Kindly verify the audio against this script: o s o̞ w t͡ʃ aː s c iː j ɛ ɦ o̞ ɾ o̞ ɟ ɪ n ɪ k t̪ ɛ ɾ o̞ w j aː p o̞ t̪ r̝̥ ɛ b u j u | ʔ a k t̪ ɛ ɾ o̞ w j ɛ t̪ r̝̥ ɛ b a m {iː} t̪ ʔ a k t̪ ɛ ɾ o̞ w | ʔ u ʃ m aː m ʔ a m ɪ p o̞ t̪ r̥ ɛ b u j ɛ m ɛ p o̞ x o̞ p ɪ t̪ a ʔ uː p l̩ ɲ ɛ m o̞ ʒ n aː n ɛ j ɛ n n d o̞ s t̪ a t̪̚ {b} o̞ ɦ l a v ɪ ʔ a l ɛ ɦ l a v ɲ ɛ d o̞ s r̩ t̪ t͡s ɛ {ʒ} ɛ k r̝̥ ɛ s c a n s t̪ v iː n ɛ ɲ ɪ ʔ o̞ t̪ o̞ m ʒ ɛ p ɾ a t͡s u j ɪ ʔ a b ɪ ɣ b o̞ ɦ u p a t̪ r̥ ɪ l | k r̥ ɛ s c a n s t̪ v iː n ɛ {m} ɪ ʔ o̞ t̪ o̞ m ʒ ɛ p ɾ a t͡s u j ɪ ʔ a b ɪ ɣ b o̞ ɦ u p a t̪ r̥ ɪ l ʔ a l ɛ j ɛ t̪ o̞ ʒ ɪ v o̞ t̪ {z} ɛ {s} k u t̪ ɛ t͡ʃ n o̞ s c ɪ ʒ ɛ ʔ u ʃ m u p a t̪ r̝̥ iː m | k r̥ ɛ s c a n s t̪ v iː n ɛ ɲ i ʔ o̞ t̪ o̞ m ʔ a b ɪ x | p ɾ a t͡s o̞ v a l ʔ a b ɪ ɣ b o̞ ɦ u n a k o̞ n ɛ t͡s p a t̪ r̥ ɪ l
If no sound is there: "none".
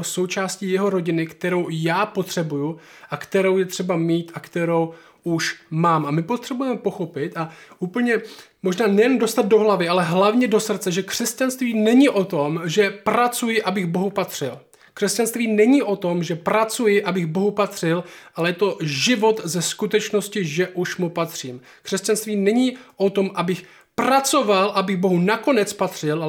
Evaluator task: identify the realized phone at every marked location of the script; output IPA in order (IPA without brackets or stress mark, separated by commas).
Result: iː, d, ʒ, ɲ, z, s